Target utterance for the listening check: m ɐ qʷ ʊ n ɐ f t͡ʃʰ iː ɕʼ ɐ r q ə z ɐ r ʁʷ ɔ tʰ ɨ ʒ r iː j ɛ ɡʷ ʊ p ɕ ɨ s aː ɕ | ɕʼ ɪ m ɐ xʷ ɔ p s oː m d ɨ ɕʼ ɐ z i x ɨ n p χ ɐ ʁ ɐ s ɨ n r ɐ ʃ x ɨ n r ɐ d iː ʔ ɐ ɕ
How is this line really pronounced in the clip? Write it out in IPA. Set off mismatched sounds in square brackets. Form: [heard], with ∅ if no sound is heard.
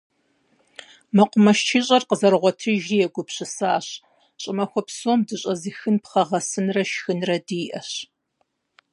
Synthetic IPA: m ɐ qʷ ʊ [m] ɐ [ʃ] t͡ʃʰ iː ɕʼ ɐ r q ə z ɐ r ʁʷ ɔ tʰ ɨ ʒ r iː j ɛ ɡʷ ʊ p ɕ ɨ s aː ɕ | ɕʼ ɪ m ɐ xʷ ɔ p s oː m d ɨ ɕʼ ɐ z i x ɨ n p χ ɐ ʁ ɐ s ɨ n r ɐ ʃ x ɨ n r ɐ d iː ʔ ɐ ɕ